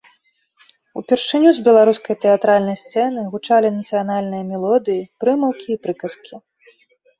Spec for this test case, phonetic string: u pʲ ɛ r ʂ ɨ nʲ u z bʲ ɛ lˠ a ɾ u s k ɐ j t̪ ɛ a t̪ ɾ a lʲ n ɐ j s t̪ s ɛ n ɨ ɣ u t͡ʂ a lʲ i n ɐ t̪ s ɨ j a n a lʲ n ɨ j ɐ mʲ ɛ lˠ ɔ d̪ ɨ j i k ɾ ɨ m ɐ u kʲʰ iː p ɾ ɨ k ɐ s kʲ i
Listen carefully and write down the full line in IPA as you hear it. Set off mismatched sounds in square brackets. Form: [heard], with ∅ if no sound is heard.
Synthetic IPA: u pʲ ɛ r ʂ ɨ nʲ u z bʲ ɛ lˠ a ɾ u s k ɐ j t̪ ɛ a t̪ ɾ a lʲ n ɐ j s t̪ s ɛ n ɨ ɣ u t͡ʂ a lʲ i n ɐ t̪ s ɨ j a n a lʲ n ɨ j ɐ mʲ ɛ lˠ ɔ d̪ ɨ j i [p] ɾ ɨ m ɐ [w] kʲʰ iː p ɾ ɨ k ɐ s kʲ i